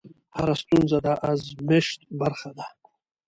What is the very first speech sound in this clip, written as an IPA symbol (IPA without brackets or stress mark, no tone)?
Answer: h